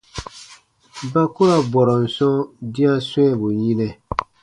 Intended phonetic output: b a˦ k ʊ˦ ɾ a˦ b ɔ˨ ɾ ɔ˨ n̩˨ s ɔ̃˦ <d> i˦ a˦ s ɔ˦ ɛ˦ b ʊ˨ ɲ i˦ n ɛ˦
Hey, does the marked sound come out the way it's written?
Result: yes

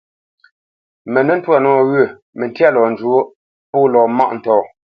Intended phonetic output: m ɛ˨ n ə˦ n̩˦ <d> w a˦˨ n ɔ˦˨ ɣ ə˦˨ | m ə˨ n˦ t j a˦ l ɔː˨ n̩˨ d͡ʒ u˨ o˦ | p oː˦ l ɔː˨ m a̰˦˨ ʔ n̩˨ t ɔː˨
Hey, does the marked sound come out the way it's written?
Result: no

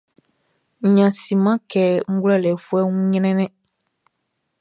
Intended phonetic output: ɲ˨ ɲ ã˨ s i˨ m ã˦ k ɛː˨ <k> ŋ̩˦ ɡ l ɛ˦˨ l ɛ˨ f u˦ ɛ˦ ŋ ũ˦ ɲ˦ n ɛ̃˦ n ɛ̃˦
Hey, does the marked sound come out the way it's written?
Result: no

